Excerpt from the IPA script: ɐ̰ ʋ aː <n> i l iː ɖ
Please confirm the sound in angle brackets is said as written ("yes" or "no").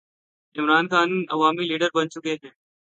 no